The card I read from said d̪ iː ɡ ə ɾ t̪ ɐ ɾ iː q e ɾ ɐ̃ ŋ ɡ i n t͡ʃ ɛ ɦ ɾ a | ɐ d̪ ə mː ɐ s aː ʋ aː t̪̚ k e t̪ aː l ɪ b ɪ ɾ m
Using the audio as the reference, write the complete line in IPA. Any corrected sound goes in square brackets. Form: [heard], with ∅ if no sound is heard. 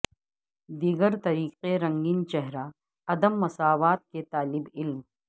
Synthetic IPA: d̪ iː ɡ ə ɾ t̪ ɐ ɾ iː q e ɾ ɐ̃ ŋ ɡ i n t͡ʃ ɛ ɦ ɾ a | ɐ d̪ ə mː ɐ s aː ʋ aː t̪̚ k e t̪ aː l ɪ b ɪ [l] m